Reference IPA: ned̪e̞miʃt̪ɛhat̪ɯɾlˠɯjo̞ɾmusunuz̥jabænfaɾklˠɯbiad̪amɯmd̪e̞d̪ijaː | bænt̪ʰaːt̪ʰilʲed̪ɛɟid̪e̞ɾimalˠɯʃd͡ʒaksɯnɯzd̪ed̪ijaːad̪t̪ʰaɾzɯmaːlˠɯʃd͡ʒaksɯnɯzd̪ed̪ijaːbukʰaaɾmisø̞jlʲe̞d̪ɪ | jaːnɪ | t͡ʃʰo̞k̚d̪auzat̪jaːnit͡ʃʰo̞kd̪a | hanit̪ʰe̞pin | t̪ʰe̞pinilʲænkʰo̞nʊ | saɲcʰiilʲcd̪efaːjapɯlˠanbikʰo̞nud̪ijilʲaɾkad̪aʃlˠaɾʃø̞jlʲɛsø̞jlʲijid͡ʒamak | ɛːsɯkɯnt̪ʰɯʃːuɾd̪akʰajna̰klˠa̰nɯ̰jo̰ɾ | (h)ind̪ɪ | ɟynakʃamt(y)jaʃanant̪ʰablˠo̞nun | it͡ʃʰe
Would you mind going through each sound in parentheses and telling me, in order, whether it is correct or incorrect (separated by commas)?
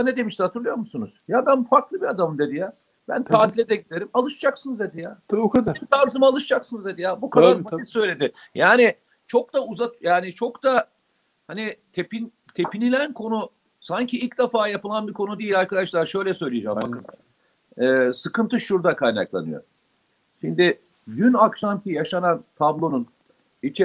incorrect, incorrect